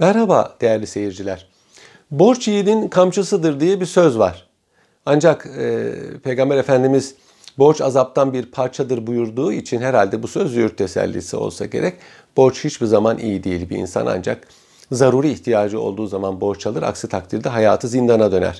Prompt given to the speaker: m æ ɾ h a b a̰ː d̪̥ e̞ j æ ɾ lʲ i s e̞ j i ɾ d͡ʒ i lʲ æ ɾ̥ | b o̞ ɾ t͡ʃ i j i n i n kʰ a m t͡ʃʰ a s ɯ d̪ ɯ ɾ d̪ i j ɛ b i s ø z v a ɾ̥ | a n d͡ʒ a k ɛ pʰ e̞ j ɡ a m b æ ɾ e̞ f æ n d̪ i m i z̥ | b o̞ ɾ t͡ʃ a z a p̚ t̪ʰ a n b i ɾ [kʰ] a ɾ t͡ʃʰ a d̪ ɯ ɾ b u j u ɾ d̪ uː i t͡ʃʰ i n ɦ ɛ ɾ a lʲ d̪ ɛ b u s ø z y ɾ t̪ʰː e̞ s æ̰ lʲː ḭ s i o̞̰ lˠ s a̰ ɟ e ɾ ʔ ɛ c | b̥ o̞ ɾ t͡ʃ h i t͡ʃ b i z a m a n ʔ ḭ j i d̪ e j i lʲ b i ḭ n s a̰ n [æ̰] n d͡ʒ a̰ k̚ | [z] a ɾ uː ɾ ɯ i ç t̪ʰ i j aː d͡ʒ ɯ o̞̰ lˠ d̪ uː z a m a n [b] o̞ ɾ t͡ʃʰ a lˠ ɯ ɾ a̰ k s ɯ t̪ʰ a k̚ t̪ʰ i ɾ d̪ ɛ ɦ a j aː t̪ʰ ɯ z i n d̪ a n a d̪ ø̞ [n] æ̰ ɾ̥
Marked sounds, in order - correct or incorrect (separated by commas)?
incorrect, incorrect, correct, correct, correct